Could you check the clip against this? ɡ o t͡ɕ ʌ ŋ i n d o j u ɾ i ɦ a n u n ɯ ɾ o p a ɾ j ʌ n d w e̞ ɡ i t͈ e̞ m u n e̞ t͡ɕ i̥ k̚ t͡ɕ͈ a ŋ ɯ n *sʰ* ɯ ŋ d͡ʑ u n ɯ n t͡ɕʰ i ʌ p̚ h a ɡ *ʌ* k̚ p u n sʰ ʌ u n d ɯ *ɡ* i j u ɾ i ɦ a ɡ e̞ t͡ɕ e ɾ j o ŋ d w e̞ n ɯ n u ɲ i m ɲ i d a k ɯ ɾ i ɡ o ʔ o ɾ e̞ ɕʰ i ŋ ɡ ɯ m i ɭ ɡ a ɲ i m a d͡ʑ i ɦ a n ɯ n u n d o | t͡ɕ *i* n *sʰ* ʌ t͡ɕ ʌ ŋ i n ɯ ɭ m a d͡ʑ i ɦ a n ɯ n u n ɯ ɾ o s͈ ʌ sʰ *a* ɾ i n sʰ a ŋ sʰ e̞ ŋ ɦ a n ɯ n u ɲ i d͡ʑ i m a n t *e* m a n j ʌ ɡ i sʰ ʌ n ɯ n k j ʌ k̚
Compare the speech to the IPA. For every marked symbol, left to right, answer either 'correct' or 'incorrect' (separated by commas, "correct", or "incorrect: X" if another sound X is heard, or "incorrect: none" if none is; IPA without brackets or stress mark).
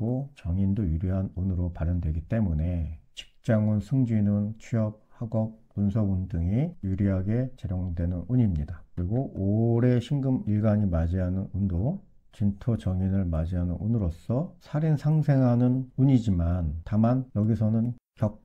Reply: correct, correct, incorrect: ŋ, correct, incorrect: tʰ, correct, incorrect: a